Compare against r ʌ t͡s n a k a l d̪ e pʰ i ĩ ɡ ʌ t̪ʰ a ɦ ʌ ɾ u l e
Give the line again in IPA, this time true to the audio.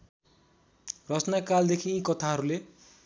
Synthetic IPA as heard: r ʌ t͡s n a k a l d̪ e kʰ i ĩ k ʌ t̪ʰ a ɦ ʌ ɾ u l e